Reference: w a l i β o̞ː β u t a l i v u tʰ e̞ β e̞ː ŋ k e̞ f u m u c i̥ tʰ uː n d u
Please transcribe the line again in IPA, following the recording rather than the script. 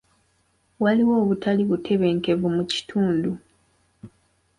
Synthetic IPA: w a l i w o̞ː β u t a l i β u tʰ e̞ β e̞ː ŋ k e̞ v u m u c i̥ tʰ uː n d u